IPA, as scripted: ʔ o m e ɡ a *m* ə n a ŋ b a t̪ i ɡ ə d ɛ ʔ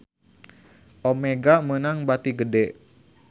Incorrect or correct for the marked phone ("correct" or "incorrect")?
correct